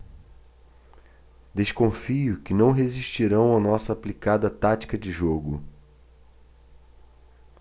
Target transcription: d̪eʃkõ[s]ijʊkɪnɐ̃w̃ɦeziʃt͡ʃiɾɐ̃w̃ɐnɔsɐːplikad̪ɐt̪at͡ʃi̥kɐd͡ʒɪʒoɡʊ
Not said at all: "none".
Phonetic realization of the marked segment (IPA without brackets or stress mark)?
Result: f